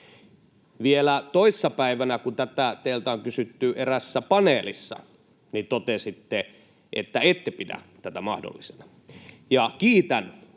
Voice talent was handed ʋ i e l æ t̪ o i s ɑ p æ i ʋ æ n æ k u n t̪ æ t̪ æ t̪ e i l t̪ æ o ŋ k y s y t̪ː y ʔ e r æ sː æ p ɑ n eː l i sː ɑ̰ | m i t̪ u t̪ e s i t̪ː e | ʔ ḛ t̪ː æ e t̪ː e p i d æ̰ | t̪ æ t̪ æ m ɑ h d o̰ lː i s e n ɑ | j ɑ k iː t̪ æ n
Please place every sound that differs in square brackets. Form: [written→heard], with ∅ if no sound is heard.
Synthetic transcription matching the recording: ʋ i e l æ t̪ o i [s→sː] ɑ p æ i ʋ æ n æ k u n t̪ æ t̪ æ t̪ e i l t̪ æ o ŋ k y s y t̪ː y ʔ e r æ sː æ p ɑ n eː l i sː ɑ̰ | [m→n] i t̪ [u→o] t̪ e s i t̪ː e | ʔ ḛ t̪ː æ e t̪ː e p i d æ̰ | t̪ æ t̪ æ m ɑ h d o̰ lː i s e n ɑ | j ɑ k iː t̪ æ n